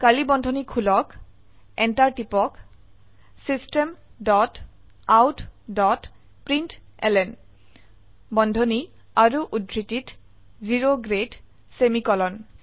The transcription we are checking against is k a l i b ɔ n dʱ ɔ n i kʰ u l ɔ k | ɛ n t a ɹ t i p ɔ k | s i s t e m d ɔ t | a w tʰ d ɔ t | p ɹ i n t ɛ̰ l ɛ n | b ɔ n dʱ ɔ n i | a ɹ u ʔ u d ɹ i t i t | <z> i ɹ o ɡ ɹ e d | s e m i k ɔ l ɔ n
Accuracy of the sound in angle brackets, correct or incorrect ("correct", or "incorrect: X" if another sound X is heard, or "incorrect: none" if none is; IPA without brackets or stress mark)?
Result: correct